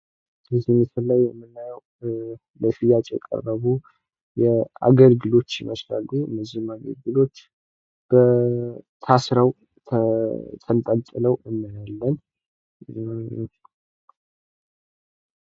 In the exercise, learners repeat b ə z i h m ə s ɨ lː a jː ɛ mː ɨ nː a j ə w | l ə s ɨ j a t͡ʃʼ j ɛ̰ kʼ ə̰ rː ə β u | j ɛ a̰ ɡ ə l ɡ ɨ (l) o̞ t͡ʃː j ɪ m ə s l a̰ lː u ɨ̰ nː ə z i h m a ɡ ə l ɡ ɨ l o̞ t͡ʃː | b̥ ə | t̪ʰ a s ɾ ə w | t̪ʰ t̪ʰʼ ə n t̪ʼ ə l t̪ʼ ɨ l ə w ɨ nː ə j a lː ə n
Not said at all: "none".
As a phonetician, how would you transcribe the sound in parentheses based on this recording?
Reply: l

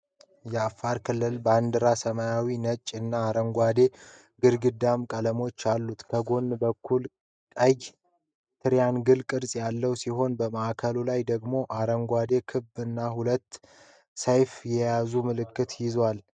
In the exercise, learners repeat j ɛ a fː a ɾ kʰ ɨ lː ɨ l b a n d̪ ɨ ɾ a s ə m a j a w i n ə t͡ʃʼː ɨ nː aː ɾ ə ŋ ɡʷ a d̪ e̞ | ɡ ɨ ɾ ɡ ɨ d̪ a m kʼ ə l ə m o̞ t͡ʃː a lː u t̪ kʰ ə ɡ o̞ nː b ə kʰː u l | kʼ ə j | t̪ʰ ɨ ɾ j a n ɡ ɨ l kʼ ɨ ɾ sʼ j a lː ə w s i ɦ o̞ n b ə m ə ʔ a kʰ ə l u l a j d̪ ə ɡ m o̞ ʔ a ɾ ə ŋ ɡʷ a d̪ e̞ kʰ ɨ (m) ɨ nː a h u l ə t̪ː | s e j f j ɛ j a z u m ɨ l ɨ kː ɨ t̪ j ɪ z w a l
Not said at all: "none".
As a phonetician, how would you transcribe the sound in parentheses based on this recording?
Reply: b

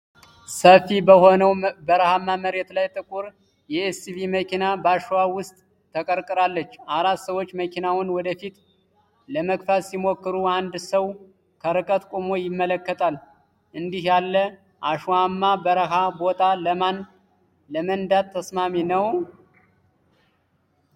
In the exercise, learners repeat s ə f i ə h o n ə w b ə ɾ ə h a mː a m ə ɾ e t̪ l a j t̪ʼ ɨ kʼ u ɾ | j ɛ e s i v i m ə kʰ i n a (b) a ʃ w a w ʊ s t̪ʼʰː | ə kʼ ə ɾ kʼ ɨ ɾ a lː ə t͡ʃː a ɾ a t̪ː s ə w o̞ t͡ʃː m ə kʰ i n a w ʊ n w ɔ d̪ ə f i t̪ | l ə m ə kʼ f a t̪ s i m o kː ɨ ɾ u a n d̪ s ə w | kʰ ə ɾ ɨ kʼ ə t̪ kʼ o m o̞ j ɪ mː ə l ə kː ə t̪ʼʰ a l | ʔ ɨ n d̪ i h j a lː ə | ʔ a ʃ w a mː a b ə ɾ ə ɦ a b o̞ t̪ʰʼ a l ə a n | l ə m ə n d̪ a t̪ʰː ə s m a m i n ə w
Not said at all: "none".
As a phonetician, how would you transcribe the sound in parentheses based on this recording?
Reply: b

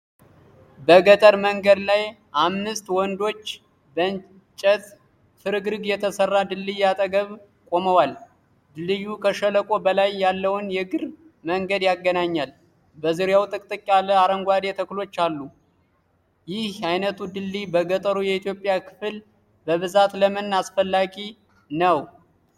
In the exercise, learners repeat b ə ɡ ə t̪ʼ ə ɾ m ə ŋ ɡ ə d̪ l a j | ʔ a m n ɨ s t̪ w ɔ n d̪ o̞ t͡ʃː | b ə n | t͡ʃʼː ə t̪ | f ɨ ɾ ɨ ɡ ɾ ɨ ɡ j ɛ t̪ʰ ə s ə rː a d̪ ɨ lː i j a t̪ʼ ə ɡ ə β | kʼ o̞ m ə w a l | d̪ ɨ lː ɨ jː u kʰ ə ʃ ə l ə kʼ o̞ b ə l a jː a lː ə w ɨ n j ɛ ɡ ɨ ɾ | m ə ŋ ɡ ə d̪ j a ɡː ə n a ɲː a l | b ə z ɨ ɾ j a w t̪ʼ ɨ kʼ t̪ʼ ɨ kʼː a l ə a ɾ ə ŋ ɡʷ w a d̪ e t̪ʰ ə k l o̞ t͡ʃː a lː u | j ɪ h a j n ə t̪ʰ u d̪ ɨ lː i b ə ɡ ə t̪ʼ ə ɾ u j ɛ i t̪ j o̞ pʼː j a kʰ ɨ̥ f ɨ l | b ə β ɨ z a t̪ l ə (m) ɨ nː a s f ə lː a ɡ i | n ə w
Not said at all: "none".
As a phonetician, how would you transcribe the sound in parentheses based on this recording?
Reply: m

